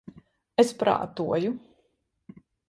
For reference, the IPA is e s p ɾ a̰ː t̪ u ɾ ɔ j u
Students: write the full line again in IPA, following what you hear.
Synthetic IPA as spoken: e s p ɾ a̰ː t̪ u ɔ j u